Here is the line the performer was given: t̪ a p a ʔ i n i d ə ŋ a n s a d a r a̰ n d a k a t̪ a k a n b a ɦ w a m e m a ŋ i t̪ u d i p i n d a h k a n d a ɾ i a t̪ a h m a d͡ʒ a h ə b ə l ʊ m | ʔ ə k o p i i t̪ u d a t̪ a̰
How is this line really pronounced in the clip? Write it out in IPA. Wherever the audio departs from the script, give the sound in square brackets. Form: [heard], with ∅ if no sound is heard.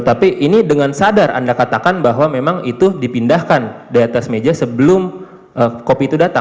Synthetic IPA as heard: t̪ a p [i] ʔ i n i d ə ŋ a n s a d a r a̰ n d a k a t̪ a k a n b a ɦ w a m e m a ŋ i t̪ u d i p i n d a h k a n d a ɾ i a t̪ a [s] m [e] d͡ʒ a [s] ə b ə l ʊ m | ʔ ə k o p i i t̪ u d a t̪ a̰